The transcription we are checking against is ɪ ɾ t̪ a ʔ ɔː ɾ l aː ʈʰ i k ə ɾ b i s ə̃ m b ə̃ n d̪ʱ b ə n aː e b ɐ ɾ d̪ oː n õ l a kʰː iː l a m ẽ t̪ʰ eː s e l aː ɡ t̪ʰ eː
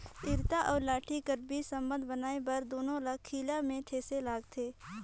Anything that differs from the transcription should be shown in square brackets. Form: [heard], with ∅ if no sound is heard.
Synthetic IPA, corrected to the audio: ɪ ɾ t̪ a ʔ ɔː ɾ l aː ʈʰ i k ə ɾ b i s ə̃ m b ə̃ n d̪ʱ b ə n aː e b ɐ ɾ d̪ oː n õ l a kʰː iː l a m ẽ t̪ʰ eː s e l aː ɡ t̪ʰ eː